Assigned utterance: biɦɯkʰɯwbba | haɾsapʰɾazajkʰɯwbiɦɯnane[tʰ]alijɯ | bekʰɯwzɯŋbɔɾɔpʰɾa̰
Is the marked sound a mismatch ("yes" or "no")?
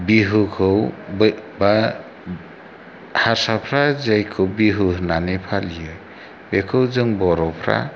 yes